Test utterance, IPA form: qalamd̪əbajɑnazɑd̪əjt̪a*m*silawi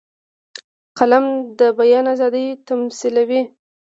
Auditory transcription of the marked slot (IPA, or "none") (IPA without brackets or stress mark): m